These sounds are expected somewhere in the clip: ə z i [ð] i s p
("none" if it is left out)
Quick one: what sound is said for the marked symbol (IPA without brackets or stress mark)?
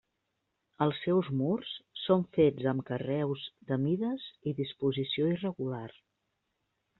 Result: ð